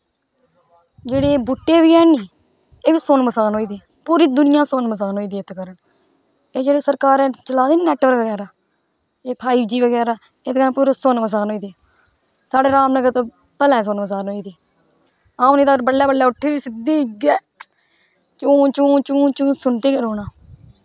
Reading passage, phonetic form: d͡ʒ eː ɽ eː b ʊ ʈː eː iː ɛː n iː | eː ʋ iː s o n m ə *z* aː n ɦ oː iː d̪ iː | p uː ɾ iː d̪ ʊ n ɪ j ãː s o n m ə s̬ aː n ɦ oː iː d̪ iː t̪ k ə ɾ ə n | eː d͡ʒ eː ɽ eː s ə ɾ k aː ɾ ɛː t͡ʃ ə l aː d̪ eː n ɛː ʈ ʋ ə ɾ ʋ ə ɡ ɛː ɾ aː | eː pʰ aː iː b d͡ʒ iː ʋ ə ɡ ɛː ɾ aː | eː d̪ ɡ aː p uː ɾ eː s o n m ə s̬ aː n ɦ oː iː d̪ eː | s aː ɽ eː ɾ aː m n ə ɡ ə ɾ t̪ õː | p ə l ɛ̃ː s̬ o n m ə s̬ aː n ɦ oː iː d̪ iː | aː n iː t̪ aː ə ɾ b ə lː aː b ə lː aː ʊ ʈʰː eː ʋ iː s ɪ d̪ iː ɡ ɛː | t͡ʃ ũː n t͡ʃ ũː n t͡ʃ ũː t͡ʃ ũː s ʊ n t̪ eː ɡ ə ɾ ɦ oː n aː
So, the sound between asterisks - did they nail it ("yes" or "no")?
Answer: no